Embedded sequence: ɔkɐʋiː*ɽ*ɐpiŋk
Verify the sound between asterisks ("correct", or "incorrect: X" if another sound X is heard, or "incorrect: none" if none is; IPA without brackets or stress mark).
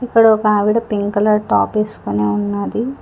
correct